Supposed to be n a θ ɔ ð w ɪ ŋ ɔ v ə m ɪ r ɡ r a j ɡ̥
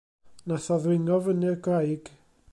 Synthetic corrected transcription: n a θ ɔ ð w ɪ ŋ ɔ v ə n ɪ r ɡ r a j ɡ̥